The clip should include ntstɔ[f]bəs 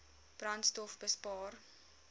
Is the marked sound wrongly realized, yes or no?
no